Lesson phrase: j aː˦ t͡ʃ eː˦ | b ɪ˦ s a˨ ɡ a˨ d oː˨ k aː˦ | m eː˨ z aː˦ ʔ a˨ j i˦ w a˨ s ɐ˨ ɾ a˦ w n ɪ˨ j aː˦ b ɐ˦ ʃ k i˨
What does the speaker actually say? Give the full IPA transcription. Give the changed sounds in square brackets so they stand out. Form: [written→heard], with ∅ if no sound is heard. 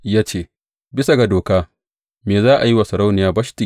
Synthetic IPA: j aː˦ t͡ʃ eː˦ | b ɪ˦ s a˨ ɡ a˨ d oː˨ k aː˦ | m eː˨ z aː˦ ʔ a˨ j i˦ w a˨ s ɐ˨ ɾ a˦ w n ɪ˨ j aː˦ b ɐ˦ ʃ [k→t] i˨